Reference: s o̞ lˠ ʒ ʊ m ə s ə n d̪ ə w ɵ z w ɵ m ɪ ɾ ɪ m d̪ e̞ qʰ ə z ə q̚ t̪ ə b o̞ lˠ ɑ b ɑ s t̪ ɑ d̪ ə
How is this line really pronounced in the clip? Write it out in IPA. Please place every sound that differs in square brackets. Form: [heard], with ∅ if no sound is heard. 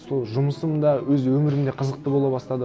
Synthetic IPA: s o̞ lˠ ʒ ʊ m ə s ə [m] d̪ [ɑ] w ɵ z w ɵ m ɪ ɾ ɪ m d̪ e̞ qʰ ə z ə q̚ t̪ ə b o̞ lˠ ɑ b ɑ s t̪ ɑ d̪ ə